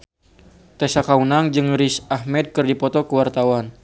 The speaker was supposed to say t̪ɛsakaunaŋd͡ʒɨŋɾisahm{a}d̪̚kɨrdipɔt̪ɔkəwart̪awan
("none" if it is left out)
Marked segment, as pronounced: ɛ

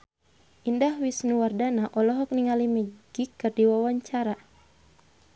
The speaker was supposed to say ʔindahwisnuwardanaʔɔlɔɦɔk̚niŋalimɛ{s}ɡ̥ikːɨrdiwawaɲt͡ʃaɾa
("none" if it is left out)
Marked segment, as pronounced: none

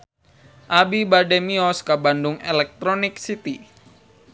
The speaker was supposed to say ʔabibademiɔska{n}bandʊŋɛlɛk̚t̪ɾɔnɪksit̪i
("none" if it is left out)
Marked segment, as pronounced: none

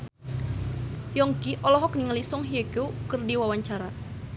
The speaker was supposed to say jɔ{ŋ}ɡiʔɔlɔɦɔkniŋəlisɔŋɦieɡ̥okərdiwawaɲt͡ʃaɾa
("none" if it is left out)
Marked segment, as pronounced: ŋ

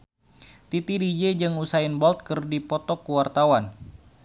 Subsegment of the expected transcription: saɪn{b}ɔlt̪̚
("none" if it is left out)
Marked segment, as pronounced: b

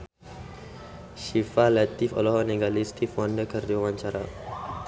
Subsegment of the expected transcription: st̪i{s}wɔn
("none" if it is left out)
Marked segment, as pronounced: f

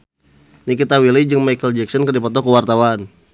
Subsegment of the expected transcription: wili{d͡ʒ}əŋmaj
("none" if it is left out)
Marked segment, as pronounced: d͡ʒ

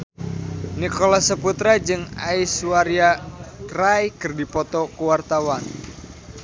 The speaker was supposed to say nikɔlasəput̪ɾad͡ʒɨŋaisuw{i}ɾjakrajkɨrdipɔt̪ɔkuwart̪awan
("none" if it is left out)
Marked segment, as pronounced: a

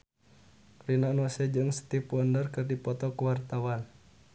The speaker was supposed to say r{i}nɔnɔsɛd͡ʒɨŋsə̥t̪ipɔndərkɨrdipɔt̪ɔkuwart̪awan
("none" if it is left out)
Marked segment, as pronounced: i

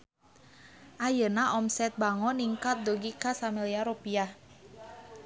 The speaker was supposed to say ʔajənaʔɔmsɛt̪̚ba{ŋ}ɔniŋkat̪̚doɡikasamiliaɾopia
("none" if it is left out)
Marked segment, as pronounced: ŋ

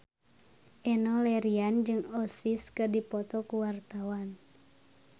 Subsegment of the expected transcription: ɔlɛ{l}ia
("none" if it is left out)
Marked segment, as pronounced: ɾ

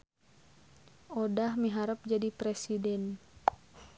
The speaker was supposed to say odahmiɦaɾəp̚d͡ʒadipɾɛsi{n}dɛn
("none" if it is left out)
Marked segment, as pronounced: none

